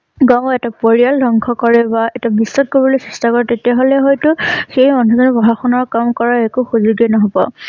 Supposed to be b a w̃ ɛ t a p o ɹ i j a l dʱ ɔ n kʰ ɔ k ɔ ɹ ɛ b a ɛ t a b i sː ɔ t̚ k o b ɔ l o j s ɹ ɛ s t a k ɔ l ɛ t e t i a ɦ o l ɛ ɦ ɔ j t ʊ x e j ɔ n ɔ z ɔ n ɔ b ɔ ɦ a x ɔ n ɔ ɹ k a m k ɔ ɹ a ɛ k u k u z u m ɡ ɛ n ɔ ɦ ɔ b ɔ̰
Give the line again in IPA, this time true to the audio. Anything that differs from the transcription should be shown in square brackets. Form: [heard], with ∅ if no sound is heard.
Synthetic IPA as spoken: [ɡ] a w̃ ɛ t a p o ɹ i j a l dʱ ɔ [ŋ] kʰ ɔ k ɔ ɹ ɛ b a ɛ t a b i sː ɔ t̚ k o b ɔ l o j s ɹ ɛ s t a k ɔ [ɹ] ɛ t e t i a ɦ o l ɛ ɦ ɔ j t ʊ x e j ɔ n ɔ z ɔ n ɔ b ɔ ɦ a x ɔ n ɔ ɹ k a m k ɔ ɹ a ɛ k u [x] u z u [∅] ɡ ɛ n ɔ ɦ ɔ b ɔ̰